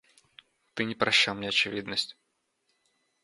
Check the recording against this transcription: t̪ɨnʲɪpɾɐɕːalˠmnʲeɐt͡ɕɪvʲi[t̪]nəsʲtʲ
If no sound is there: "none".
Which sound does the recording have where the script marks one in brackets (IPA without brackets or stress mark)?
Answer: d̪